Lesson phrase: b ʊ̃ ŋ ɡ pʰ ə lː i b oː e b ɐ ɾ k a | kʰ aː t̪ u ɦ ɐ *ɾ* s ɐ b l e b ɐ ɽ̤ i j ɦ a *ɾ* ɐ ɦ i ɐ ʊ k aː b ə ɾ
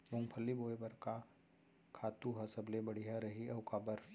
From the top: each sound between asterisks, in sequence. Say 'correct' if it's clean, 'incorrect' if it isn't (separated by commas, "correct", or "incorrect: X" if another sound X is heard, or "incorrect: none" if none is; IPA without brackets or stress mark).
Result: incorrect: none, correct